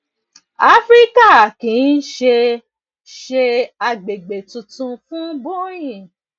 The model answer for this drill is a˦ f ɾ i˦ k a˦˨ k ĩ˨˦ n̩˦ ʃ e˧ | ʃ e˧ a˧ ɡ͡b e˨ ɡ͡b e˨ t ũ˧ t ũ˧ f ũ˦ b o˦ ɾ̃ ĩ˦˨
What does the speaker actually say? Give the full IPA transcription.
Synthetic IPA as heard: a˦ f ɾ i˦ k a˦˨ k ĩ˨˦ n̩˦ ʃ e˧ | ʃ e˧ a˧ ɡ͡b e˨ ɡ͡b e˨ t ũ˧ t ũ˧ f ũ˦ b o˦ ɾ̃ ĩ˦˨